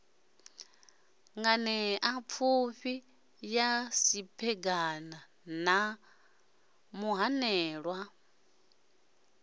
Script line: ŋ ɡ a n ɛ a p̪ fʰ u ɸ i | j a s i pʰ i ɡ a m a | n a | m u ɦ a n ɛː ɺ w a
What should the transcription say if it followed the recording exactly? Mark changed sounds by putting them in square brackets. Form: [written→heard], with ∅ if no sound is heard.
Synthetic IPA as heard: ŋ ɡ a n ɛ a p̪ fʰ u ɸ i | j a s i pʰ [i→ɛ] ɡ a [m→n] a | n a | m u ɦ a n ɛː ɺ w a